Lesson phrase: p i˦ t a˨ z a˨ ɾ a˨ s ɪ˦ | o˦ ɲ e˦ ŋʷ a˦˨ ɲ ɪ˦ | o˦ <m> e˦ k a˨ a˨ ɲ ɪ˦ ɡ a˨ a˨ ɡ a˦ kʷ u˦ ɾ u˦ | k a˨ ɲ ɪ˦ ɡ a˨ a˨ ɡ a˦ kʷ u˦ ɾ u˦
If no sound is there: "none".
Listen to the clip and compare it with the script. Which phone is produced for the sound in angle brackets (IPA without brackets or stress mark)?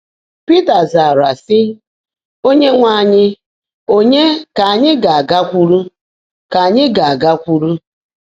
ɲ